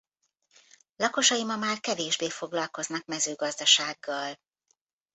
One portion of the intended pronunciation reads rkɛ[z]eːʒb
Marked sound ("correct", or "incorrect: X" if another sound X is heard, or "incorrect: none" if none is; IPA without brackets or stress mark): incorrect: v